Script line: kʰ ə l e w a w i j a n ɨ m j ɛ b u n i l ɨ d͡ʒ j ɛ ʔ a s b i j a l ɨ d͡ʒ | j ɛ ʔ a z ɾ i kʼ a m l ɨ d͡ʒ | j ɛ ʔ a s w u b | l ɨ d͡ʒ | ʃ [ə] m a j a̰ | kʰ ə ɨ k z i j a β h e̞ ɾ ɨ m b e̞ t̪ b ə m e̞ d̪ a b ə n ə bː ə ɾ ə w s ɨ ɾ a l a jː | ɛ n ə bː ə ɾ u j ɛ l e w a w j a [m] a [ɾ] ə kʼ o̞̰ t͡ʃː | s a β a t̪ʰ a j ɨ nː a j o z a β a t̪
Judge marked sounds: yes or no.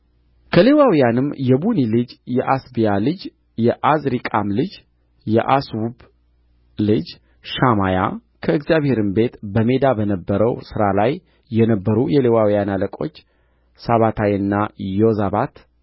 no, no, no

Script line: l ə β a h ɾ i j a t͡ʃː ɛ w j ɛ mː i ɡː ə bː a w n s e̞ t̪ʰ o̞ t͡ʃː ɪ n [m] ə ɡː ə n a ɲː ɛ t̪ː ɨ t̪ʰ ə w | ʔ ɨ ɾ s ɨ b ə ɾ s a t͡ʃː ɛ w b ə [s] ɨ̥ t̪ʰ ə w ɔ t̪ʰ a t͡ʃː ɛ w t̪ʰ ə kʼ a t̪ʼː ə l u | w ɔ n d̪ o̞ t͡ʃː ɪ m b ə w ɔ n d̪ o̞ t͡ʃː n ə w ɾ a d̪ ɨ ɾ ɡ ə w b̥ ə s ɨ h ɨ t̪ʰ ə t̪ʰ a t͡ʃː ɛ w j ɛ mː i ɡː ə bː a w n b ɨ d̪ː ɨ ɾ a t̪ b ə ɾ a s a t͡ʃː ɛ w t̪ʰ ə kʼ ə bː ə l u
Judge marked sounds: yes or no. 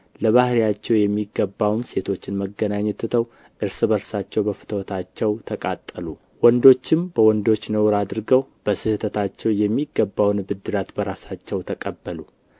yes, no

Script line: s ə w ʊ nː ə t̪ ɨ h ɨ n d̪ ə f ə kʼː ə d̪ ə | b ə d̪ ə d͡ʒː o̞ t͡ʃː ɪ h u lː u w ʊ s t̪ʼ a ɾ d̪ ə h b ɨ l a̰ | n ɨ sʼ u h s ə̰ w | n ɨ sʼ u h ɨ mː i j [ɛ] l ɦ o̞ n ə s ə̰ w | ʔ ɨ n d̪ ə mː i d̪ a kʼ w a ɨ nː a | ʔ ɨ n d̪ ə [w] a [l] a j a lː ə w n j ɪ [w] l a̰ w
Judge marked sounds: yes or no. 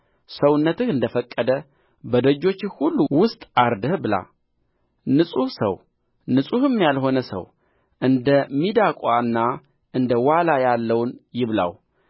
no, yes, yes, no

